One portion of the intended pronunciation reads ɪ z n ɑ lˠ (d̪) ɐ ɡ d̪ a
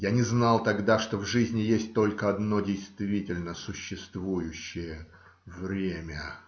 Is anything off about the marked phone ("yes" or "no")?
yes